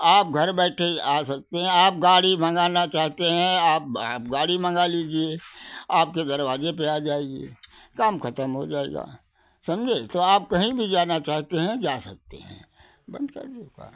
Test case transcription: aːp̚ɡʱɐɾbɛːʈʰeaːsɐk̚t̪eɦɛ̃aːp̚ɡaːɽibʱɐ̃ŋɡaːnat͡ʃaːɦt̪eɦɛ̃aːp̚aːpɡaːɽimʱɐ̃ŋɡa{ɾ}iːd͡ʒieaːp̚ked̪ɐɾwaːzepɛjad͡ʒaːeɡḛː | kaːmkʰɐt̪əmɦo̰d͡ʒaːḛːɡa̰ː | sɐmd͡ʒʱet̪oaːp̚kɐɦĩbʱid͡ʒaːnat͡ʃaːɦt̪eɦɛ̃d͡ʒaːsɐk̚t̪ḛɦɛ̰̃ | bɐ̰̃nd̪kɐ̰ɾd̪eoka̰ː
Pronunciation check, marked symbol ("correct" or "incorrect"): incorrect